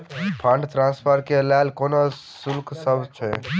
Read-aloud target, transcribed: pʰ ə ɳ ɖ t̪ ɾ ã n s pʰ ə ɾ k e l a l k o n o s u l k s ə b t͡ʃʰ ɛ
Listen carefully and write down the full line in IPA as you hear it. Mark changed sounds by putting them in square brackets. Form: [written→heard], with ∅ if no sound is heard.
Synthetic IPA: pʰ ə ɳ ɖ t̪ ɾ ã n s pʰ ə ɾ k e l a l k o n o s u l k s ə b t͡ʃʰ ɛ